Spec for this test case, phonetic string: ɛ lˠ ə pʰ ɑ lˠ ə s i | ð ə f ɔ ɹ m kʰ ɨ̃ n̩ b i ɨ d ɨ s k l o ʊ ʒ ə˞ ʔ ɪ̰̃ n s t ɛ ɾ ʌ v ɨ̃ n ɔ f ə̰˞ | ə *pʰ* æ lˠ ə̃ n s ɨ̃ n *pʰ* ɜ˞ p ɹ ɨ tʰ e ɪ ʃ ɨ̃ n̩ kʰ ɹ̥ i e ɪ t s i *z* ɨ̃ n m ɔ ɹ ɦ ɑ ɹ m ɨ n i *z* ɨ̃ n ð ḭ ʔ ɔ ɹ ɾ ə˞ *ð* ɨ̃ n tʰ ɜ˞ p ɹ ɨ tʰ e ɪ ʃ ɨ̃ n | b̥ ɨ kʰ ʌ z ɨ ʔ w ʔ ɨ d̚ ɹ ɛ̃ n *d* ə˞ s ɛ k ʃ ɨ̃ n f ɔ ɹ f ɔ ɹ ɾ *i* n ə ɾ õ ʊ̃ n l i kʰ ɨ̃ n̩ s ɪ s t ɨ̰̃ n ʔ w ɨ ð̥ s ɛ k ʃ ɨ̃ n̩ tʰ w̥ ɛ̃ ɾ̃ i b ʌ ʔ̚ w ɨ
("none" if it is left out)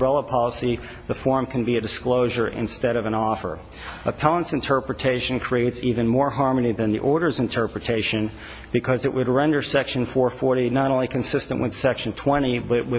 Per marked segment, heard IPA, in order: pʰ, tʰ, v, ð, z, d, i

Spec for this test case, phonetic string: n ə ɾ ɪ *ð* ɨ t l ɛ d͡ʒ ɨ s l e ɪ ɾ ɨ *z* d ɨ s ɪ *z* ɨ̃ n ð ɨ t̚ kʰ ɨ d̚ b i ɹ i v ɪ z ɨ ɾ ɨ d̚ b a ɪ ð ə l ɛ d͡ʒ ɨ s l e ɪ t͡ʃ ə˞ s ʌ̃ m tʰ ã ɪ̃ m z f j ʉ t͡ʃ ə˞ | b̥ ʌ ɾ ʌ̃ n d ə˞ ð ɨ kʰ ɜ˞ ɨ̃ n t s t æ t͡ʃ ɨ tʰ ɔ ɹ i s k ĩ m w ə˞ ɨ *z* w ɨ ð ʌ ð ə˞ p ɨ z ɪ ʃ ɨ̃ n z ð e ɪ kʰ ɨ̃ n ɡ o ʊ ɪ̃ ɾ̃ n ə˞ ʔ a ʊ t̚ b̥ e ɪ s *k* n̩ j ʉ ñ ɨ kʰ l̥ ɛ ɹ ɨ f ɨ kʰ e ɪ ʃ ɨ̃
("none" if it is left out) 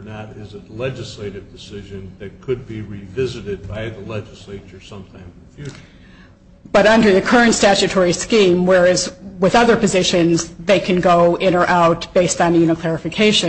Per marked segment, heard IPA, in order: z, v, ʒ, z, t

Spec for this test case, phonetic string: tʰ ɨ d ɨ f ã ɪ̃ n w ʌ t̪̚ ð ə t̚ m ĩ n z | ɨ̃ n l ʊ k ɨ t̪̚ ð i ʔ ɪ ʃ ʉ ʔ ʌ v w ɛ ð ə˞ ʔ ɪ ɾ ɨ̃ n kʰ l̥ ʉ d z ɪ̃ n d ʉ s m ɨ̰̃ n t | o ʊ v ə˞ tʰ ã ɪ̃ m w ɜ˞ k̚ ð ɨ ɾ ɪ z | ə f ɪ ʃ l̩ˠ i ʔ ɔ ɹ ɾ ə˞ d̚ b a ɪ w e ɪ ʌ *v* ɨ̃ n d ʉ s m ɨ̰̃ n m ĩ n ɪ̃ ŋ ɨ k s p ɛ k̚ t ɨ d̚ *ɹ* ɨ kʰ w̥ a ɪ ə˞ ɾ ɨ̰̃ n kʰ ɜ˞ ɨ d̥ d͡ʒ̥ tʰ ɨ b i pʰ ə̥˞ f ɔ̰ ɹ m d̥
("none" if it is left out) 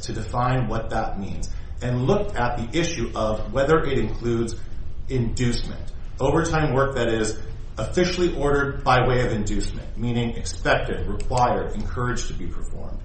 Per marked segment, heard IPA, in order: v, ɹ

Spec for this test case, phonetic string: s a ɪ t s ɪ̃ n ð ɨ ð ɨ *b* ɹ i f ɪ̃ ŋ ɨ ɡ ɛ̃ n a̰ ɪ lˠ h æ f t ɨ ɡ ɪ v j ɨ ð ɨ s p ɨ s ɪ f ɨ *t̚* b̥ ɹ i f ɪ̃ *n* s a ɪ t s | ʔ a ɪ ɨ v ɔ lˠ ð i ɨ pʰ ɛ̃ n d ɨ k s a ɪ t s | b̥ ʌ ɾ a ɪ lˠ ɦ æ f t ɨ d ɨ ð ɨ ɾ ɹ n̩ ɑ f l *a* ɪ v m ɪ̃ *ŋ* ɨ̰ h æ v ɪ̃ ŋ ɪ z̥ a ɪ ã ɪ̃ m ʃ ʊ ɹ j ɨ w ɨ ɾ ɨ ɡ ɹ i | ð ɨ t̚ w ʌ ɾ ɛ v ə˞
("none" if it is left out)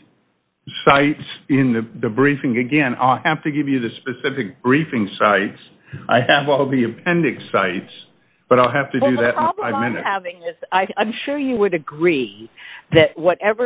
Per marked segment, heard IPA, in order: b, k̚, ŋ, a, n

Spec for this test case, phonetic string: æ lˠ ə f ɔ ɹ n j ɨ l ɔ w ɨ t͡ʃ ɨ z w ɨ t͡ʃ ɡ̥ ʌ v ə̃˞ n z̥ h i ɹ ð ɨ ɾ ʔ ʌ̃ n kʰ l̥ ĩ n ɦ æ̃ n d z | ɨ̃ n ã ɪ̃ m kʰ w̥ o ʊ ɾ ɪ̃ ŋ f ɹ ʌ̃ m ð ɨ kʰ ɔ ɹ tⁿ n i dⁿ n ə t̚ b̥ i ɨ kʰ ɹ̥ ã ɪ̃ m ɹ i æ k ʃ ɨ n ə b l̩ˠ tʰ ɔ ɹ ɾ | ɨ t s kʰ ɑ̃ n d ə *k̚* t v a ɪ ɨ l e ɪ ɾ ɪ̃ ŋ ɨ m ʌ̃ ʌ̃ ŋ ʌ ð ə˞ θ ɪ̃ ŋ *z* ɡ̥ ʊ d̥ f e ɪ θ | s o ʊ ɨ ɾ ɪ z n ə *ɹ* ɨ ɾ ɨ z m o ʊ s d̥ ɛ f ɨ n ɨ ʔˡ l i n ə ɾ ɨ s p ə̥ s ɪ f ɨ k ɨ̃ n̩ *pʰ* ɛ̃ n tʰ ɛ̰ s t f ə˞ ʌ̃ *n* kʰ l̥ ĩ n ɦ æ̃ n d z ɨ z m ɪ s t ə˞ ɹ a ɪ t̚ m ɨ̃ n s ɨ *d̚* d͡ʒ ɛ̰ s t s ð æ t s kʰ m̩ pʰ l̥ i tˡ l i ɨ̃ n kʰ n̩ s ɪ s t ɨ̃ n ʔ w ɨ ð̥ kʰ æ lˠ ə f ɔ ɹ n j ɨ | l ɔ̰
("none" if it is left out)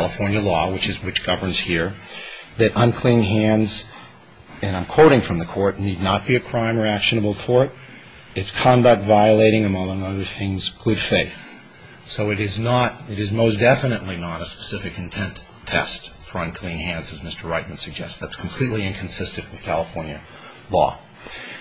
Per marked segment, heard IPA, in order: k̚, z, ɾ, tʰ, n, ɡ̚

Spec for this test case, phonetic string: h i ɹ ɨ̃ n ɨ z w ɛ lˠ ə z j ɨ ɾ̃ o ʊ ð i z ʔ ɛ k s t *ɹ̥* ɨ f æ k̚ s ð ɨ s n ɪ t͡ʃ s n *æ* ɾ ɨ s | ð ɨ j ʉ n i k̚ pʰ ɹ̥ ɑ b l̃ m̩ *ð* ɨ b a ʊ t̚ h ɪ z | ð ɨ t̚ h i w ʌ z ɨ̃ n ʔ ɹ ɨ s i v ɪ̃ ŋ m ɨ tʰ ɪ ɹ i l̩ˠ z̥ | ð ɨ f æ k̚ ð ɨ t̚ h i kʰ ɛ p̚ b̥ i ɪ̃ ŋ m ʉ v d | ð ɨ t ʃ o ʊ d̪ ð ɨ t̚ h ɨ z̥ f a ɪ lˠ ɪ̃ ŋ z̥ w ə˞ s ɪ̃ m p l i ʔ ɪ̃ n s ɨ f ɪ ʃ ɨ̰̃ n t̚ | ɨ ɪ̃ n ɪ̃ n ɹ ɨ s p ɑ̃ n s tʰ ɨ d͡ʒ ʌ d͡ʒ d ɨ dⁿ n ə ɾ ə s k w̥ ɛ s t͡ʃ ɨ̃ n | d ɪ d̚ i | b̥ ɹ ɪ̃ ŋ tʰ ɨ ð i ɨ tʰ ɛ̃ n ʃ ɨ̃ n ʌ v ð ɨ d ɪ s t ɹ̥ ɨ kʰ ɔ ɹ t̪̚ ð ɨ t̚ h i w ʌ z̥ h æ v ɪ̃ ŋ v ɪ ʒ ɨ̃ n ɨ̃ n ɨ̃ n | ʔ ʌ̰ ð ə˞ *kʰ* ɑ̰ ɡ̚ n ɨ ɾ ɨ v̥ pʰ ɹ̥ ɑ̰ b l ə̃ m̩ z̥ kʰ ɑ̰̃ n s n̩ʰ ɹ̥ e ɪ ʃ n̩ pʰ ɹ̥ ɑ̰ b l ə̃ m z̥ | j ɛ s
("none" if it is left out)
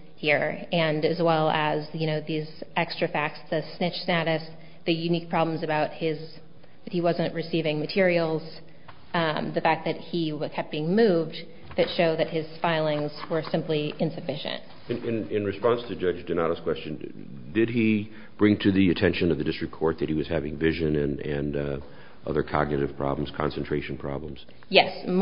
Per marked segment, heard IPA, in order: ɹ̥, æ, z, kʰ

